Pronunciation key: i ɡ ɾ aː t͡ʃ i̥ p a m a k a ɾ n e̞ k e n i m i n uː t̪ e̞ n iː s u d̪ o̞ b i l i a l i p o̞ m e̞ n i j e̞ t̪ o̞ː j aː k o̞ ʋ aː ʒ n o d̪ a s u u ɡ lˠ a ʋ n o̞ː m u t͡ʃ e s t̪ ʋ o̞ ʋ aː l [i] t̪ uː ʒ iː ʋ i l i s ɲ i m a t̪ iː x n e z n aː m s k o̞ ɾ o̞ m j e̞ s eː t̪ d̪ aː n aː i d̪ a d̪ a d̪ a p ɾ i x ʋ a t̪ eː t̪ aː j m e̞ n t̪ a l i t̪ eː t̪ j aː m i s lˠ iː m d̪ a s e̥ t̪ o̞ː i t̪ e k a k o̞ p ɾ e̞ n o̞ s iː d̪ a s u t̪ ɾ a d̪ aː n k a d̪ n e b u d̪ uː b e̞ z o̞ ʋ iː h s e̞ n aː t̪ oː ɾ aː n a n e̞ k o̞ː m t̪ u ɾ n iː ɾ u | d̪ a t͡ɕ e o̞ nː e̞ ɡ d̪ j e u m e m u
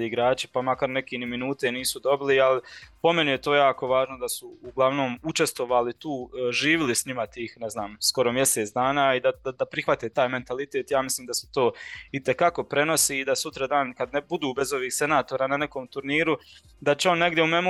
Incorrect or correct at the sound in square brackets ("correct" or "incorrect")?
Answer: correct